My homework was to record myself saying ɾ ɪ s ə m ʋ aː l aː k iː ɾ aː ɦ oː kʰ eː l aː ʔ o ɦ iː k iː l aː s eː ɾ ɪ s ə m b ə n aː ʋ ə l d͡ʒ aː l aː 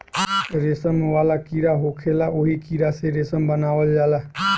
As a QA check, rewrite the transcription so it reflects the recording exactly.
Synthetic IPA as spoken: ɾ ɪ s ə m ʋ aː l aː k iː ɾ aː ɦ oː kʰ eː l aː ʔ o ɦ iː k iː ɾ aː s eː ɾ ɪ s ə m b ə n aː ʋ ə l d͡ʒ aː l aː